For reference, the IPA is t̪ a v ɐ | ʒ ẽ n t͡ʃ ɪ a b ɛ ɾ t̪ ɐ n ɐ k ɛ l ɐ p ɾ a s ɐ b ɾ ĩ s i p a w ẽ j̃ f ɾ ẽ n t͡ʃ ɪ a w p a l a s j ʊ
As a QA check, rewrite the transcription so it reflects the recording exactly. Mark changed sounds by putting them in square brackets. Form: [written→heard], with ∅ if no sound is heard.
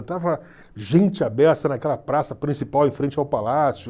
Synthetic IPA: t̪ a v ɐ | ʒ ẽ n t͡ʃ ɪ a b ɛ ɾ t̪ ɐ n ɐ k ɛ l ɐ p ɾ a s ɐ [b→p] ɾ ĩ s i p a w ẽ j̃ f ɾ ẽ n t͡ʃ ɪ a w p a l a s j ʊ